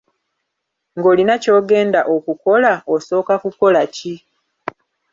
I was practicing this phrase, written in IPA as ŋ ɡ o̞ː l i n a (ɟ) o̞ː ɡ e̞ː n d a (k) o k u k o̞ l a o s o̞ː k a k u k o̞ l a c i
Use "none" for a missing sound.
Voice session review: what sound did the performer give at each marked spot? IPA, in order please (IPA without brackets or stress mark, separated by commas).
c, ʔ